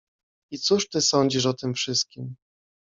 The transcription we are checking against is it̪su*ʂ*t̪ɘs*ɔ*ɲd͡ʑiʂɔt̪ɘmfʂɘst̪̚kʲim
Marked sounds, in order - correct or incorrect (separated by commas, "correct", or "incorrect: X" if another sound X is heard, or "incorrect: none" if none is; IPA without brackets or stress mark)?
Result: correct, correct